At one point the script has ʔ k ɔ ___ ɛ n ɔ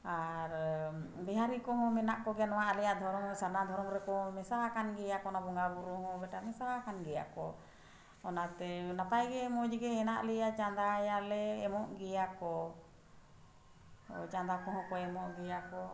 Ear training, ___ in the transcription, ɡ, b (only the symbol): ɡ